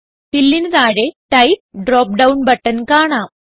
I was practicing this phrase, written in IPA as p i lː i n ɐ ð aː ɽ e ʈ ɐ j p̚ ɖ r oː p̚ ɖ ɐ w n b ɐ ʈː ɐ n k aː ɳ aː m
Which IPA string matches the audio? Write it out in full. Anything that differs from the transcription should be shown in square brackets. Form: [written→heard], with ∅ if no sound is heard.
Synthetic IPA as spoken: p i lː i n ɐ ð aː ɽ e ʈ ɐ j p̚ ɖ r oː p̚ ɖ ɐ w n b ɐ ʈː ɐ n k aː ɳ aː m

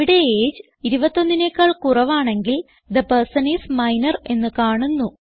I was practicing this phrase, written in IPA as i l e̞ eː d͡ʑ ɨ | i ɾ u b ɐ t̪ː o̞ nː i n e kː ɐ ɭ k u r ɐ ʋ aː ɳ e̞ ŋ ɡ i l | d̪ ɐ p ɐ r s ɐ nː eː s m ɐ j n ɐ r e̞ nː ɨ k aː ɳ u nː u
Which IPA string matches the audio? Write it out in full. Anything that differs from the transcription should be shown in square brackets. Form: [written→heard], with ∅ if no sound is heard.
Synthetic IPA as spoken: i [l→ɽ] e̞ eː d͡ʑ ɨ | i ɾ u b ɐ t̪ː o̞ nː i n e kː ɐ ɭ k u r ɐ ʋ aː ɳ e̞ ŋ ɡ i l | d̪ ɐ p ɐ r s ɐ [nː→n] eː s m ɐ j n ɐ r e̞ nː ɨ k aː ɳ u nː u

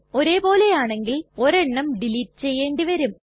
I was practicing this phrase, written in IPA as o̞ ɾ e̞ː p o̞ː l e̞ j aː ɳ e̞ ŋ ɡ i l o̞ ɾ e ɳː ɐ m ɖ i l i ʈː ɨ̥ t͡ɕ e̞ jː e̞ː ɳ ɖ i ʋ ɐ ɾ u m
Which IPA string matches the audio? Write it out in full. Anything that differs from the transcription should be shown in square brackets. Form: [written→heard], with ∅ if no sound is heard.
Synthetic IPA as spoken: o̞ ɾ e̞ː p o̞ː l e̞ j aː ɳ e̞ ŋ ɡ i l o̞ ɾ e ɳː ɐ m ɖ i l i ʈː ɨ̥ t͡ɕ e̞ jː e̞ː ɳ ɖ i ʋ ɐ ɾ u m

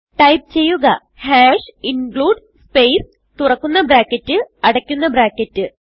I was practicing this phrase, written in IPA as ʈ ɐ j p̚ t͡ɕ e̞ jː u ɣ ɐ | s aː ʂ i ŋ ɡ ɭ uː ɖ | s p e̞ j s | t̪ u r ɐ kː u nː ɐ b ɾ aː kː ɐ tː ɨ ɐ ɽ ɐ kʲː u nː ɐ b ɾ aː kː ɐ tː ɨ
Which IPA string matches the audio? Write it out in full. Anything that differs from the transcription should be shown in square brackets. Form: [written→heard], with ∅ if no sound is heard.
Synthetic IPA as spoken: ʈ ɐ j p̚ t͡ɕ e̞ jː u ɣ ɐ | [s→h] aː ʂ i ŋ ɡ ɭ uː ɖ | s p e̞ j s | t̪ u r ɐ kː u nː ɐ b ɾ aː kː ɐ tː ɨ ɐ ɽ ɐ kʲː u nː ɐ b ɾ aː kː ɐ tː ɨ

